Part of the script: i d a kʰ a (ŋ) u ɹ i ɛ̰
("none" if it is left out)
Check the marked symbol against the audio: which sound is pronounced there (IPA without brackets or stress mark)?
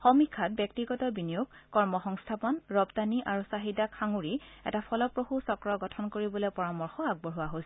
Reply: ŋ